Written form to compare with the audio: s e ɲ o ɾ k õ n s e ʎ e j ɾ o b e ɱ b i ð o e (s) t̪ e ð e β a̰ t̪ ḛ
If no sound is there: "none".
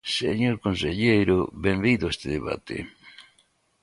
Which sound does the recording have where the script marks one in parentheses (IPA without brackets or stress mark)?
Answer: s